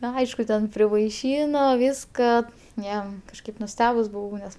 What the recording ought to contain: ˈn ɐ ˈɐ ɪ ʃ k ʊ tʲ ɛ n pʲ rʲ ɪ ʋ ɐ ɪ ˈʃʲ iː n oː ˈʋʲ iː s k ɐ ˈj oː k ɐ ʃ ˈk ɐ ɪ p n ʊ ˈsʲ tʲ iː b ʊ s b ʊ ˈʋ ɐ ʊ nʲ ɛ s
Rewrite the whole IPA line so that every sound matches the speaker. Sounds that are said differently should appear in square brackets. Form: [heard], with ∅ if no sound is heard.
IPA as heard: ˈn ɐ ˈɐ ɪ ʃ k ʊ tʲ ɛ n pʲ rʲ ɪ ʋ ɐ ɪ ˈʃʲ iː n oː ˈʋʲ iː s k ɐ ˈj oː k ɐ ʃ ˈk ɐ ɪ p n ʊ ˈsʲ tʲ [æː] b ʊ s b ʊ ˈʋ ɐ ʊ nʲ ɛ s

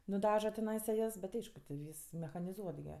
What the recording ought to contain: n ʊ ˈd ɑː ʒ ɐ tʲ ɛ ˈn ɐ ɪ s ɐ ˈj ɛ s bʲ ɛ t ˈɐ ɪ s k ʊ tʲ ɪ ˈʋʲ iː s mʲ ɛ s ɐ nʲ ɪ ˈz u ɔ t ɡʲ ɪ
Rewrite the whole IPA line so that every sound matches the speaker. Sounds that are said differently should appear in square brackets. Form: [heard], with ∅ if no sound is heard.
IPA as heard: n ʊ ˈd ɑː ʒ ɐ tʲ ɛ ˈn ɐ ɪ s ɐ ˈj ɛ s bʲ ɛ t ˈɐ ɪ [ʃ] k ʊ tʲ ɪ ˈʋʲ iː s mʲ ɛ [x] ɐ nʲ ɪ ˈz u ɔ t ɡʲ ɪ

